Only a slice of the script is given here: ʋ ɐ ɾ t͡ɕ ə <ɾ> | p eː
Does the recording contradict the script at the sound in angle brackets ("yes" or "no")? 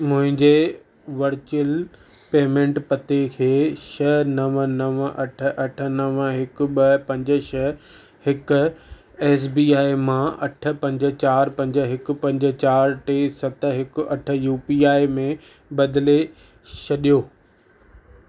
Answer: yes